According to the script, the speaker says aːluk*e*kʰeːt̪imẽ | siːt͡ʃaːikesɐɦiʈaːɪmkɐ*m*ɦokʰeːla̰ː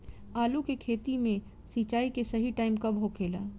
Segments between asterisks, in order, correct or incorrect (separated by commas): correct, incorrect